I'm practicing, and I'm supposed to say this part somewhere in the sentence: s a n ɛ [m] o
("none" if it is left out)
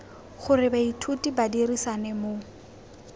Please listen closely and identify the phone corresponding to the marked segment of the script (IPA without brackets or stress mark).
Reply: m